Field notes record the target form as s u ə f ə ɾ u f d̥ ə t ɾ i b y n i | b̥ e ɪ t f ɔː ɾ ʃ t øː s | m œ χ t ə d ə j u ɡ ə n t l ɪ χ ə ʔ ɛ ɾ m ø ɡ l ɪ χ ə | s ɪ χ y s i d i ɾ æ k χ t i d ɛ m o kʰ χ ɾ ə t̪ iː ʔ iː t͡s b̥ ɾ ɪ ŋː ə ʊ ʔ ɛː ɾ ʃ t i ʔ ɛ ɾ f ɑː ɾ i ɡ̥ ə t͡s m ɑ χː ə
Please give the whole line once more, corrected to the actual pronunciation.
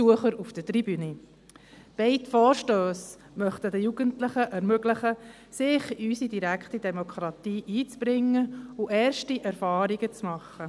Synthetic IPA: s u ə χ ə ɾ u f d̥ ə t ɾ i b y n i | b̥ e ɪ t f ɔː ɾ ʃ t øː s | m œ χ t ə d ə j u ɡ ə n t l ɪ χ ə ʔ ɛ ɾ m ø ɡ l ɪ χ ə | s ɪ χ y s i d i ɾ æ k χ t i d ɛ m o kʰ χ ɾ ɑ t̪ iː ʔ iː t͡s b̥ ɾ ɪ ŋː ə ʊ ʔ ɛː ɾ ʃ t i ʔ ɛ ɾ f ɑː ɾ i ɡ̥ ə t͡s m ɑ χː ə